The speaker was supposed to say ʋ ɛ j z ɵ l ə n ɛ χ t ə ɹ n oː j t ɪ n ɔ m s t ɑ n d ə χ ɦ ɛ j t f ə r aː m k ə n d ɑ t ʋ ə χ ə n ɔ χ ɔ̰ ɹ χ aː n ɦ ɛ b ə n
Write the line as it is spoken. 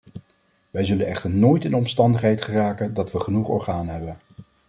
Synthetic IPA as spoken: ʋ ɛ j z ɵ l ə n ɛ χ t ə ɹ n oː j t ɪ n ɔ m s t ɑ n d ə χ ɦ ɛ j t χ ə r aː k ə n d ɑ t ʋ ə χ ə n u χ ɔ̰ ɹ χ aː n ɦ ɛ b ə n